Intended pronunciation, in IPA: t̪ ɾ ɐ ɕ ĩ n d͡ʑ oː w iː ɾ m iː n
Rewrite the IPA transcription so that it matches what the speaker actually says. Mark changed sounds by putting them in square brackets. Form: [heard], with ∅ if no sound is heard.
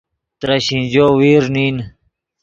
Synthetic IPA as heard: t̪ ɾ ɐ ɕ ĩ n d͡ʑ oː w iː ɾ [n] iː n